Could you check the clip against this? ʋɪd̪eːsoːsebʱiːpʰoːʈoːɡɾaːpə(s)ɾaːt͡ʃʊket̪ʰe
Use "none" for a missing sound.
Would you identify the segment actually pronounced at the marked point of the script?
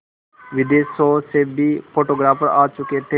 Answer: none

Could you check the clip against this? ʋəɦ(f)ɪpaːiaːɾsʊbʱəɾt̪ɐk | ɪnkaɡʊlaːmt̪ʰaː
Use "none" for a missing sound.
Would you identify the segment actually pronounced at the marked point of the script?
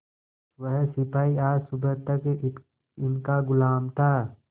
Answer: s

